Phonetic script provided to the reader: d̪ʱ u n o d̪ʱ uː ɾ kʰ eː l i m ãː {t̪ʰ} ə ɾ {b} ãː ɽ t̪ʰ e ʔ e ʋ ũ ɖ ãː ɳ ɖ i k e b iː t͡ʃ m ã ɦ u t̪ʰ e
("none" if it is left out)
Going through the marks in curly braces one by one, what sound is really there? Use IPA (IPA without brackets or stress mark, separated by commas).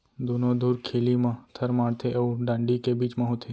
t̪ʰ, m